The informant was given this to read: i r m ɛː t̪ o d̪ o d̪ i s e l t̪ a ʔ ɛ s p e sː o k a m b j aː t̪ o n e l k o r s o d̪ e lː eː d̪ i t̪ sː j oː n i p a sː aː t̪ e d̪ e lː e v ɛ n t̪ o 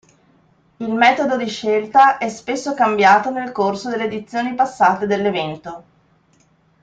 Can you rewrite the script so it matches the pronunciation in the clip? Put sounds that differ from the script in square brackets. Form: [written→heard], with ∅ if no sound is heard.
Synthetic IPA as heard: i [r→l] m ɛː t̪ o d̪ o d̪ i [s→ʃ] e l t̪ a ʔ ɛ s p e sː o k a m b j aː t̪ o n e l k o r s o d̪ e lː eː d̪ i t̪ sː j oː n i p a sː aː t̪ e d̪ e lː e v ɛ n t̪ o